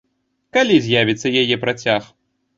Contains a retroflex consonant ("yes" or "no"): no